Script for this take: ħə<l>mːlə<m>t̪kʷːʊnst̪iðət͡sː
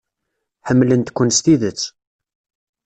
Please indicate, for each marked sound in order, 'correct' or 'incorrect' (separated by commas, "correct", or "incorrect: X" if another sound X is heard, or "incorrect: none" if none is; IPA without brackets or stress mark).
incorrect: none, incorrect: n